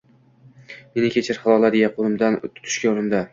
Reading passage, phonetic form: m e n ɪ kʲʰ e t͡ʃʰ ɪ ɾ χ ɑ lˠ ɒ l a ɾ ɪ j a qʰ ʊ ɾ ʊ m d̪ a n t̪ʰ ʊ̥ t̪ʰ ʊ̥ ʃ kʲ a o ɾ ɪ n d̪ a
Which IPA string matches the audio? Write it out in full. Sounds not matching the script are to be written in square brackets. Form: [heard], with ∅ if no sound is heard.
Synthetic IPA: m e n ɪ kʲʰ e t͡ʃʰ ɪ ɾ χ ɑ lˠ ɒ l a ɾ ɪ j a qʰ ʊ ɾ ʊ m d̪ a n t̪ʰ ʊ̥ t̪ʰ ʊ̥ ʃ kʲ a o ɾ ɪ [m] d̪ a

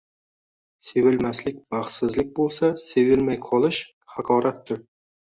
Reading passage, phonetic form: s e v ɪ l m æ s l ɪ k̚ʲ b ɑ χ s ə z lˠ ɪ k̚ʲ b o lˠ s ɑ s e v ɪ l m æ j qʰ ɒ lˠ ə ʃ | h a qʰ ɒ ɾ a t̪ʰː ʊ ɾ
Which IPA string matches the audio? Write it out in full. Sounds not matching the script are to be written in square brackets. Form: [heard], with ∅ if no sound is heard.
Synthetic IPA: s e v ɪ l m æ s l ɪ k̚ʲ b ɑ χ s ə z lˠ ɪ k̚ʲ b o lˠ s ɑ s e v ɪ l m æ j qʰ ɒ lˠ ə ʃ | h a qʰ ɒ ɾ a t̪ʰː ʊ ɾ

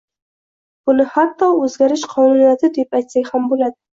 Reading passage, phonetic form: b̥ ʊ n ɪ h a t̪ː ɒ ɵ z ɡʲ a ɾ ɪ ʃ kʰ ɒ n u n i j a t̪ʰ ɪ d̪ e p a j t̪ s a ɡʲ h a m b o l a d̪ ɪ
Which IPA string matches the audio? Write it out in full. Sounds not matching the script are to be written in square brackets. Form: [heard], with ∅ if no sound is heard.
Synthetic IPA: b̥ ʊ n ɪ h a t̪ː ɒ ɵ z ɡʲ a ɾ ɪ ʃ [qʰ] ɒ n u n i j a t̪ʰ ɪ d̪ e p a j t̪ s a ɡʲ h a m b o l a d̪ ɪ

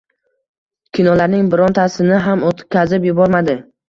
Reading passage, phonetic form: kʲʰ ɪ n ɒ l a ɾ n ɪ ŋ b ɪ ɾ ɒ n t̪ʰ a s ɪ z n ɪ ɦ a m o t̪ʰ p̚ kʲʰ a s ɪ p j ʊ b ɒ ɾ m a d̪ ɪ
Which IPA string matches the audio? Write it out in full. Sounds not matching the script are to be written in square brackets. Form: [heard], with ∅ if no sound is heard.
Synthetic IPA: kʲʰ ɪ n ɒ l a ɾ n ɪ ŋ b ɪ ɾ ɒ n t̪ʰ a s ɪ [∅] n ɪ ɦ a m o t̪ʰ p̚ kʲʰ a [z] ɪ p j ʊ b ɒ ɾ m a d̪ ɪ

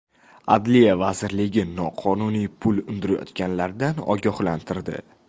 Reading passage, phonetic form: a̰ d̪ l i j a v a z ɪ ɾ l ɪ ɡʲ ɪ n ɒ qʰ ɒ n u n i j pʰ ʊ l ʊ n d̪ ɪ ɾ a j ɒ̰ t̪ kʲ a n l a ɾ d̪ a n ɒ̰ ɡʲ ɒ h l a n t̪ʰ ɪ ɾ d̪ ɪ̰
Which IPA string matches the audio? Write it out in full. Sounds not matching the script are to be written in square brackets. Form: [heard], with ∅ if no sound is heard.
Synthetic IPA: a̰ d̪ l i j a v a z ɪ ɾ l ɪ ɡʲ ɪ n ɒ qʰ ɒ n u n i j pʰ ʊ l ʊ n d̪ ɪ ɾ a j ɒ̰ t̪ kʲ a n l a ɾ d̪ a n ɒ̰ ɡʲ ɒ h l a n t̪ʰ ɪ ɾ d̪ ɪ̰

